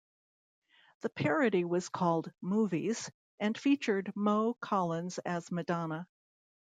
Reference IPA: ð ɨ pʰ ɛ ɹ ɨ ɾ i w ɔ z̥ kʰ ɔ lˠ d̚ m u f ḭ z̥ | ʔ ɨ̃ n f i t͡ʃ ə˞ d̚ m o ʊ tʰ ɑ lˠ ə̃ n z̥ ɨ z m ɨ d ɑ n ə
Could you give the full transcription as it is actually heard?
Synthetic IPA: ð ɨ pʰ ɛ ɹ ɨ ɾ i w ʌ z̥ kʰ ɔ lˠ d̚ m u v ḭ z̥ | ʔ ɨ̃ n f i t͡ʃ ə˞ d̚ m o ʊ kʰ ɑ lˠ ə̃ n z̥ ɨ z m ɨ d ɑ n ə

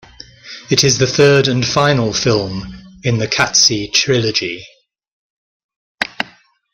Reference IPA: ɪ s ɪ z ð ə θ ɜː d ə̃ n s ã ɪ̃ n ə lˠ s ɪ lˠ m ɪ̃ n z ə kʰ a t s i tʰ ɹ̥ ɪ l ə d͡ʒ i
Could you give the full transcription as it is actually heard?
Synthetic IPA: ɪ t ɪ z ð ə θ ɜː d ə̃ n f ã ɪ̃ n ə lˠ f ɪ lˠ m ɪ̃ n ð ə kʰ a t s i tʰ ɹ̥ ɪ l ə d͡ʒ i

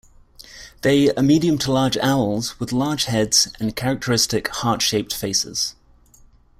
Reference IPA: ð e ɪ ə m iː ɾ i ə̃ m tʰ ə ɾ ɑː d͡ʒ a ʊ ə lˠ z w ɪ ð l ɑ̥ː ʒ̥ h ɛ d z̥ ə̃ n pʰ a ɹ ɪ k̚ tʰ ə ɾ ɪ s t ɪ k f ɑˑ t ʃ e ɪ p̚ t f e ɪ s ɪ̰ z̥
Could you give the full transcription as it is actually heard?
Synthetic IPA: ð e ɪ ə m iː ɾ i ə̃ m tʰ ə l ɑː d͡ʒ a ʊ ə lˠ z w ɪ ð l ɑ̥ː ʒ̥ h ɛ d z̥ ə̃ n kʰ a ɹ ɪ k̚ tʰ ə ɹ ɪ s t ɪ k h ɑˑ t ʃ e ɪ p̚ t f e ɪ s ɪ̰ z̥

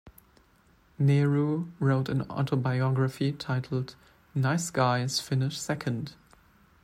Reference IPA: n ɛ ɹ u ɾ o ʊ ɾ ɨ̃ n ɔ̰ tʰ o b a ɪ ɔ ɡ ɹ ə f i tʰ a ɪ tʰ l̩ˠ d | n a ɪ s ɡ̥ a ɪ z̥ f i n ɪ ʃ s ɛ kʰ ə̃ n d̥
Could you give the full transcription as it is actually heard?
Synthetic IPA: n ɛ ɹ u ɹ o ʊ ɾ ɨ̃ n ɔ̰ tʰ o b a ɪ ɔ ɡ ɹ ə f i tʰ a ɪ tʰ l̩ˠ d | n a ɪ s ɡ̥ a ɪ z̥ f ɪ n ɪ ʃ s ɛ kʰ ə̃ n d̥

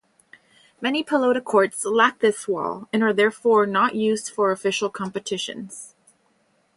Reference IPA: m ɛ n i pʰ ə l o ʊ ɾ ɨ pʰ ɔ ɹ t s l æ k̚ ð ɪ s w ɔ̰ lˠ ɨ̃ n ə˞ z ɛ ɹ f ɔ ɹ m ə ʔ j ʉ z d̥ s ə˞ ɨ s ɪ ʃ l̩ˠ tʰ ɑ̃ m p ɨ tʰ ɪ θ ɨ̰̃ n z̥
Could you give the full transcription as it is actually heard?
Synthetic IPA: m ɛ n i pʰ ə l o ʊ ɾ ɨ kʰ ɔ ɹ t s l æ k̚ ð ɪ s w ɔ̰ lˠ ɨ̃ n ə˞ ð ɛ ɹ f ɔ ɹ n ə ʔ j ʉ z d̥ f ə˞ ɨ f ɪ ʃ l̩ˠ kʰ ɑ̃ m p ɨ tʰ ɪ ʃ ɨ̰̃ n z̥

